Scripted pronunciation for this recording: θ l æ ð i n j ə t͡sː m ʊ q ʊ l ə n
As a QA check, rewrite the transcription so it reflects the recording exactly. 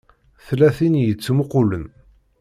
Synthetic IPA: θ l æ θ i n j ə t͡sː m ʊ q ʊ l ə n